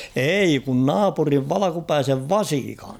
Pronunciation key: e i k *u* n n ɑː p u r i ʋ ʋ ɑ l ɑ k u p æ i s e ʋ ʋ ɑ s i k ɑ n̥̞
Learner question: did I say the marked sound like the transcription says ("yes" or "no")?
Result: yes